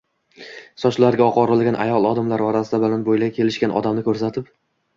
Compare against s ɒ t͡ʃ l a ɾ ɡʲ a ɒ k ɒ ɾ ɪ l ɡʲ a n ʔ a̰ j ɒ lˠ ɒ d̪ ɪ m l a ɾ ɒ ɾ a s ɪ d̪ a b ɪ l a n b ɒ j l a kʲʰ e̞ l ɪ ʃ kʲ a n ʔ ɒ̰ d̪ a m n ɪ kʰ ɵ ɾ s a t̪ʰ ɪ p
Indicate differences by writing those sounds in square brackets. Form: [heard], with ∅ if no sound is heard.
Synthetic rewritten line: s ɒ t͡ʃ l a ɾ ɡʲ a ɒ [q] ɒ ɾ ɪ l ɡʲ a n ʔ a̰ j ɒ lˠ ɒ d̪ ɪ m l a ɾ ɒ ɾ a s ɪ d̪ a b ɪ l a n b [o] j l a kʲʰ e̞ l ɪ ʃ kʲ a n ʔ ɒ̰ d̪ a m n ɪ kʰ ɵ ɾ s a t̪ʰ ɪ p